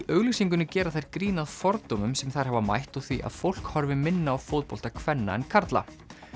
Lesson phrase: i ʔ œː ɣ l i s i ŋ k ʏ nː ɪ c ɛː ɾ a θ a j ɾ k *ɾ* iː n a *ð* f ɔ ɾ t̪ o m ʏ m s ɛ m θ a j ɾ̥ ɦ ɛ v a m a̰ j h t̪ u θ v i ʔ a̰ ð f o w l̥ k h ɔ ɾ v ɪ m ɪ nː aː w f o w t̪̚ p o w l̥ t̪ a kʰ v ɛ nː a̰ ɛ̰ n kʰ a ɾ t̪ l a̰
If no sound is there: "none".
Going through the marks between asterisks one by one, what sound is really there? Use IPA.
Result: ɾ, ð

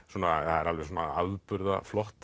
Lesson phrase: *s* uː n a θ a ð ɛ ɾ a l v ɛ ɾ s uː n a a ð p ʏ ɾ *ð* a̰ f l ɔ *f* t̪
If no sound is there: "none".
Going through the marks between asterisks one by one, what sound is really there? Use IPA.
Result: s, ð, h

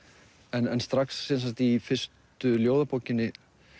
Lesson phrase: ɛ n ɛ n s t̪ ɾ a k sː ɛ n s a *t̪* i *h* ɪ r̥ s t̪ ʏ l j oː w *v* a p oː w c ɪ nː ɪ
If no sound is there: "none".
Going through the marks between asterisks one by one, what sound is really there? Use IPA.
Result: t̪, f, ð

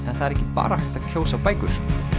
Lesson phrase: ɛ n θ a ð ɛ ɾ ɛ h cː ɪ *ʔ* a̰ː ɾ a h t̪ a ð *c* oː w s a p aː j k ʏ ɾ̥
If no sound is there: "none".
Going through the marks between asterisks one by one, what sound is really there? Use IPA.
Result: p, cʰ

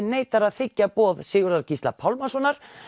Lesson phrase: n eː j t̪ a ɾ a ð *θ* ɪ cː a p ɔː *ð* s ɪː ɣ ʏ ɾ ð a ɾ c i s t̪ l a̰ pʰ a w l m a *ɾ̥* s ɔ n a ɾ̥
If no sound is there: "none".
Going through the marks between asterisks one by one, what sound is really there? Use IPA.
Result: θ, ð, none

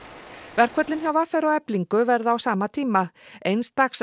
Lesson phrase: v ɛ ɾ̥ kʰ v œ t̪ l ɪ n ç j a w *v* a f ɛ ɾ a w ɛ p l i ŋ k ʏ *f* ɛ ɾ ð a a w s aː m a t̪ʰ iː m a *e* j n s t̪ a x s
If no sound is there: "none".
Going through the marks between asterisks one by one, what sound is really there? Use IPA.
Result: v, v, e

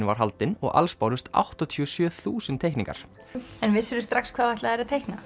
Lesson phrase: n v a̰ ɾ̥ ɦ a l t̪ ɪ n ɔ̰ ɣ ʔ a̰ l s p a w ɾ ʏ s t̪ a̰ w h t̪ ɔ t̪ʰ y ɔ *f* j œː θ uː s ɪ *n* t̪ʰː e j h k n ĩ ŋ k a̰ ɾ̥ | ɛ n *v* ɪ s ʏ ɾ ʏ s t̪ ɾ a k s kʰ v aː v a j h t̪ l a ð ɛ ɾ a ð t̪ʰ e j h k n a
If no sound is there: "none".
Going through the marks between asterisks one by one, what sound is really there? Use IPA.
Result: s, n, v

